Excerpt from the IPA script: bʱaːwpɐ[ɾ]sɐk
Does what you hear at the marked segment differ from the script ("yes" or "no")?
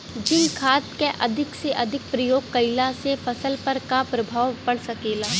yes